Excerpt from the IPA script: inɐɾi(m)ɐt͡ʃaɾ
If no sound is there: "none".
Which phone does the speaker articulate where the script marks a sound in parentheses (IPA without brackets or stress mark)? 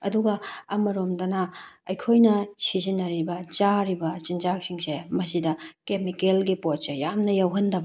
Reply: b